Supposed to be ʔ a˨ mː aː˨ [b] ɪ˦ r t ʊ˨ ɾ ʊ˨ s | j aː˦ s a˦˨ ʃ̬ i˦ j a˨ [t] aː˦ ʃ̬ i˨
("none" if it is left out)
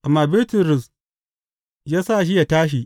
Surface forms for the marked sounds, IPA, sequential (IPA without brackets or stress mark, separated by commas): b, t